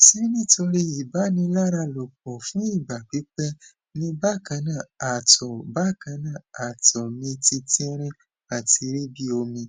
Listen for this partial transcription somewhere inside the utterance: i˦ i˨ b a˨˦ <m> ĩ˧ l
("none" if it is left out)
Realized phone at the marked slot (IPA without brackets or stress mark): n